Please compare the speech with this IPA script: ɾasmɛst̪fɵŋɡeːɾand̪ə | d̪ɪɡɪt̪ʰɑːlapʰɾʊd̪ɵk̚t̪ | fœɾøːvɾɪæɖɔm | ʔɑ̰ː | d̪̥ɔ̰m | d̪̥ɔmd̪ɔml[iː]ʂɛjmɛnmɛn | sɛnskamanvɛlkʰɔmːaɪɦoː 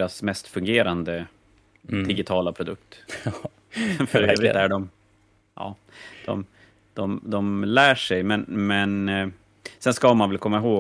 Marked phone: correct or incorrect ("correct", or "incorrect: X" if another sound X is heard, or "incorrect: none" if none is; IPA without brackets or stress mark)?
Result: incorrect: æː